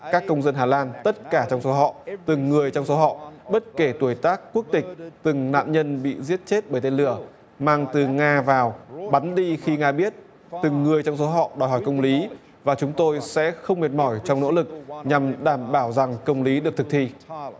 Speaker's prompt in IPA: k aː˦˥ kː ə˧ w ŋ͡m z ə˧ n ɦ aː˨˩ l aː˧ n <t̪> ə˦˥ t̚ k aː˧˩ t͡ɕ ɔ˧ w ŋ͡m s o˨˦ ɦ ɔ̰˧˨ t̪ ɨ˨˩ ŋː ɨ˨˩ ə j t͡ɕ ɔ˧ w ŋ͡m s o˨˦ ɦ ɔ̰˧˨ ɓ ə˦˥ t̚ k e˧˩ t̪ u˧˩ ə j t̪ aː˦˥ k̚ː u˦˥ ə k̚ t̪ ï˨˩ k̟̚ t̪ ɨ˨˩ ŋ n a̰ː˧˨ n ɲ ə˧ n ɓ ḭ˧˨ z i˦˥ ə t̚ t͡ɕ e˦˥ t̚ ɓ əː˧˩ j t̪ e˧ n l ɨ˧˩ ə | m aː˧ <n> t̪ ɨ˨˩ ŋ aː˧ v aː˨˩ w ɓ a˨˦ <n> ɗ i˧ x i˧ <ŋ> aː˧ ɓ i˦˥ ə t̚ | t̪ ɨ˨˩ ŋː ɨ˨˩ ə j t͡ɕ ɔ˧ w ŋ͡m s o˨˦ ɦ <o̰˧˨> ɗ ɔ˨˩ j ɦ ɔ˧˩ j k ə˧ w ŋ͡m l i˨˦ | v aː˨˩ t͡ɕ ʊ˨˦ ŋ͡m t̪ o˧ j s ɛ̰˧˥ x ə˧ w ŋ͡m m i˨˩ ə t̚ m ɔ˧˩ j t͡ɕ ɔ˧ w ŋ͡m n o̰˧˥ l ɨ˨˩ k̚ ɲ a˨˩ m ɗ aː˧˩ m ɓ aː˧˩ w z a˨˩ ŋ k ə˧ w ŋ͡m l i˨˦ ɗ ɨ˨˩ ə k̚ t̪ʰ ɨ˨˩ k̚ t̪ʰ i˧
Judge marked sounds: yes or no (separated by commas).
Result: yes, no, yes, yes, no